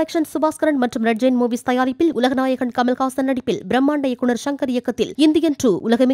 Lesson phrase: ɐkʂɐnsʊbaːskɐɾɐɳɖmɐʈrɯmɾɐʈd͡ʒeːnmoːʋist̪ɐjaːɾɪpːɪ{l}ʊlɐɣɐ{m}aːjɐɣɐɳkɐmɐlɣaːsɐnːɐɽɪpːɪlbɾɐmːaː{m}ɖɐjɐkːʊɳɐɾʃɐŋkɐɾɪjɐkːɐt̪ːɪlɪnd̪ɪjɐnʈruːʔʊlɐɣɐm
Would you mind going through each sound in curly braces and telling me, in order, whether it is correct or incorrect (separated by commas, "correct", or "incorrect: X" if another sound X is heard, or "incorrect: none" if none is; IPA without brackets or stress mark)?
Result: correct, incorrect: n, incorrect: ɳ